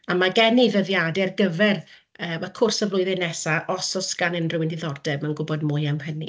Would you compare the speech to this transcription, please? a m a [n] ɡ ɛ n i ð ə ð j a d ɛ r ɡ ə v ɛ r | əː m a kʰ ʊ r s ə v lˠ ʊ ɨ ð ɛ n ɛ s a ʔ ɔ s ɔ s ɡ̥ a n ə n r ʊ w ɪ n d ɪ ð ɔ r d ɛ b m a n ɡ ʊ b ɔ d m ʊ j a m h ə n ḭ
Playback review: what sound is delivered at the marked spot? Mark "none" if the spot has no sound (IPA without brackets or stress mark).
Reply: none